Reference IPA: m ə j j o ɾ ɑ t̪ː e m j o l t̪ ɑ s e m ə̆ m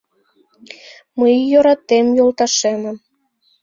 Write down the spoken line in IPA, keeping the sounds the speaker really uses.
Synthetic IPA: m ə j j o ɾ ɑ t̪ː e m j o l t̪ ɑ ʃ e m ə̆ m